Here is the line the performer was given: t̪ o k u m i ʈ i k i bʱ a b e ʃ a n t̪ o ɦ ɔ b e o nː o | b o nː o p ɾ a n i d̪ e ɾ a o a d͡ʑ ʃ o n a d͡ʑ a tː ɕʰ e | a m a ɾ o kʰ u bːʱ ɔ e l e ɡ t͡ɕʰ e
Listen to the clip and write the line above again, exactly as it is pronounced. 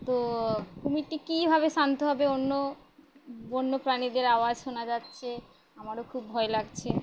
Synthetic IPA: t̪ o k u m i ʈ i k i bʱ a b e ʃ a n t̪ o ɦ ɔ b e o nː o | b o nː o p ɾ a n i d̪ e ɾ a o a d͡ʑ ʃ o n a d͡ʑ a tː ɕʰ e | a m a ɾ o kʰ u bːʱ ɔ e l a ɡ t͡ɕʰ e